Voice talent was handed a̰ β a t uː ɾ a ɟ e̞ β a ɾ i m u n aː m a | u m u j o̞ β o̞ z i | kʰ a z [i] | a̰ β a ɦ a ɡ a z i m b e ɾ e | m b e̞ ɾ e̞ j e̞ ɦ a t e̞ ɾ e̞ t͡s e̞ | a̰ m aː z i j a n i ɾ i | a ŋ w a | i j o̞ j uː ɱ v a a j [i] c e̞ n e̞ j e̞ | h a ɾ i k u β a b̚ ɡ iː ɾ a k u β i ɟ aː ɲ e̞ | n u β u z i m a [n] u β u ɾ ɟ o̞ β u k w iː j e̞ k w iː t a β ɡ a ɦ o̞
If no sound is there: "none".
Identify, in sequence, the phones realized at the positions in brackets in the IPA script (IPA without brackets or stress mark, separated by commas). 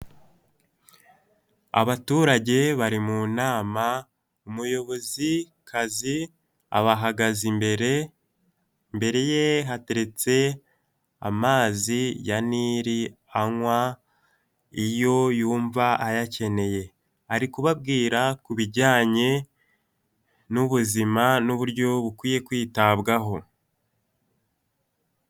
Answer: i, a, n